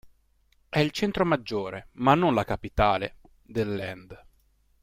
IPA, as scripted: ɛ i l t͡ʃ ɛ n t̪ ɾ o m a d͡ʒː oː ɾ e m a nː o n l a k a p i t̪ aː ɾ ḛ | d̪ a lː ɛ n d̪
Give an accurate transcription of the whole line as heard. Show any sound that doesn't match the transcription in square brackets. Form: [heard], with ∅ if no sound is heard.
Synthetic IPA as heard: ɛ i l t͡ʃ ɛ n t̪ ɾ o m a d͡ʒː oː ɾ e m a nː o n l a k a p i t̪ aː [l] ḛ | d̪ [e] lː ɛ n d̪